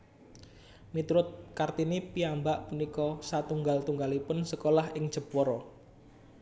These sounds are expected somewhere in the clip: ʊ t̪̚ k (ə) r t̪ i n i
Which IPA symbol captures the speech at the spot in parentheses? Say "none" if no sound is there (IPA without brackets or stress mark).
a